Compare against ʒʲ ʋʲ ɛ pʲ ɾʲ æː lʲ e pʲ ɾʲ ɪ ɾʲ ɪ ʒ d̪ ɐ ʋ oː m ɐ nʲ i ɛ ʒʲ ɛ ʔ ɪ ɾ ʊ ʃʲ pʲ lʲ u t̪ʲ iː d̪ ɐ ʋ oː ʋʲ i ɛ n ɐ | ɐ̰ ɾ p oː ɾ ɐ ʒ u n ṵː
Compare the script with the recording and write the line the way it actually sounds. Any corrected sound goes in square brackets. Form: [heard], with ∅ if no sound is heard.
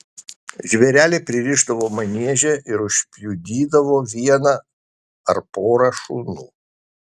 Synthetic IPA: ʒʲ ʋʲ ɛ [∅] ɾʲ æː lʲ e pʲ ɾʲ ɪ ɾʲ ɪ ʒ d̪ ɐ ʋ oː m ɐ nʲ i ɛ ʒʲ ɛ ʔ ɪ ɾ ʊ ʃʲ pʲ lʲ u [d̪ʲ] iː d̪ ɐ ʋ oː ʋʲ i ɛ n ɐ | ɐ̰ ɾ p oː ɾ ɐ [ʃ] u n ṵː